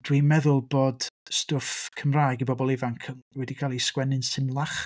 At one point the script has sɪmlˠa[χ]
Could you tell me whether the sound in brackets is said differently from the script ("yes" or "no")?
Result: no